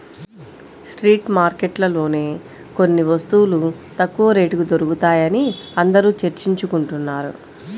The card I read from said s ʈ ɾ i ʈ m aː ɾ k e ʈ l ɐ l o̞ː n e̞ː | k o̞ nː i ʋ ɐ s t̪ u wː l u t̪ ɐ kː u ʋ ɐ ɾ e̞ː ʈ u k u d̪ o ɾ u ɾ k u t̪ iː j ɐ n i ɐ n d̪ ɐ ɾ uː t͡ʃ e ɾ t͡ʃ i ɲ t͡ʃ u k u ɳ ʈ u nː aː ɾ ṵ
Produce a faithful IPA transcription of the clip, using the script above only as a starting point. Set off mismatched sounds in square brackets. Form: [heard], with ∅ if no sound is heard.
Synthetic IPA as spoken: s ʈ ɾ [iː] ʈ m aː ɾ k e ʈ l ɐ l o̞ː n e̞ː | k o̞ nː i ʋ ɐ s t̪ u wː l u t̪ ɐ kː u ʋ ɐ ɾ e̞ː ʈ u k u d̪ o ɾ u [∅] k u t̪ [aː] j ɐ n i ɐ n d̪ ɐ ɾ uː t͡ʃ e ɾ t͡ʃ i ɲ t͡ʃ u k u ɳ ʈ u nː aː ɾ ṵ